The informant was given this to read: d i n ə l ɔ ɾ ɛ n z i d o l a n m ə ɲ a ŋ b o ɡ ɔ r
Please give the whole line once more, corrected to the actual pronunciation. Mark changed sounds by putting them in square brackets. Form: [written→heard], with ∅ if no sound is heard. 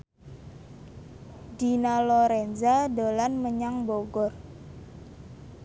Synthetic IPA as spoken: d i n [ə→a] l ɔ ɾ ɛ n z [i→a] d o l a n m ə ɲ a ŋ b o ɡ ɔ r